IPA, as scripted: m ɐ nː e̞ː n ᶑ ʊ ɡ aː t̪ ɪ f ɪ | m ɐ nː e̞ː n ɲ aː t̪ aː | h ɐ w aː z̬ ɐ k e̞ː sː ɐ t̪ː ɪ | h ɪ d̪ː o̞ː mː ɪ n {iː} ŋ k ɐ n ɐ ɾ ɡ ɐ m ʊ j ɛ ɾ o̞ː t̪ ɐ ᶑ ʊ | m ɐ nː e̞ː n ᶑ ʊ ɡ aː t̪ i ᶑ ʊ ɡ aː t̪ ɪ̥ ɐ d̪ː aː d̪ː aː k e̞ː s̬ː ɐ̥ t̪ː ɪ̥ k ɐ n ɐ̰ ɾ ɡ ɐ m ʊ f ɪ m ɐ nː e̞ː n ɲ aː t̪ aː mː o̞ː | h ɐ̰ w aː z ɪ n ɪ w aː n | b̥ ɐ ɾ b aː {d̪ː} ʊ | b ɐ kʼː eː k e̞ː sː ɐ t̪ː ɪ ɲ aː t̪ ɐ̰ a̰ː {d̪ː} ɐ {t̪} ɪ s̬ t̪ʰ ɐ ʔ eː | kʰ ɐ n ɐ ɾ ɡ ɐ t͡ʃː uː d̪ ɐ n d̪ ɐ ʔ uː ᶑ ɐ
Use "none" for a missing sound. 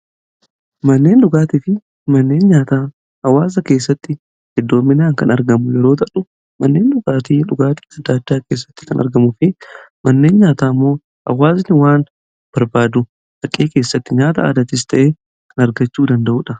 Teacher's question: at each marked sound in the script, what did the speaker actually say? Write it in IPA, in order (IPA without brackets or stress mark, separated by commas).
aː, d̪, d̪, t̪